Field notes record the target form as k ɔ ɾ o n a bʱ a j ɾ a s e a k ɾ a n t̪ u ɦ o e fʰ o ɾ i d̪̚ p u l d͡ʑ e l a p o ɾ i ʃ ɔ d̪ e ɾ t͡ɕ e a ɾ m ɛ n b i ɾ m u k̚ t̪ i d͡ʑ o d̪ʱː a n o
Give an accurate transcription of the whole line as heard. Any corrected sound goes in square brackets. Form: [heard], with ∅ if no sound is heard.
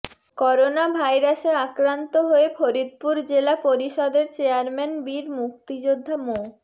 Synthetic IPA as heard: k ɔ ɾ o n a bʱ a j ɾ a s e a k ɾ a n t̪ [o] ɦ o e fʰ o ɾ i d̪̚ p u [ɾ] d͡ʑ e l a p o ɾ i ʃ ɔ d̪ e ɾ t͡ɕ e a ɾ m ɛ n b i ɾ m u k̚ t̪ i d͡ʑ o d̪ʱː a [m] o